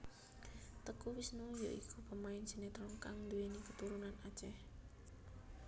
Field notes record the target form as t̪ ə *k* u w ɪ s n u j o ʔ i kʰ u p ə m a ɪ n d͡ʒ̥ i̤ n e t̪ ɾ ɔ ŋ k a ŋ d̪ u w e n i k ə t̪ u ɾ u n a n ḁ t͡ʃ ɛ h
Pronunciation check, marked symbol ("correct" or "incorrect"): correct